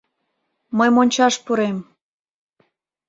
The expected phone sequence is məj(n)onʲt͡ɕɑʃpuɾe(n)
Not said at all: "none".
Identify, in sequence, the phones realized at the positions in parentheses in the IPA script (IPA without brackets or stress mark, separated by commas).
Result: m, m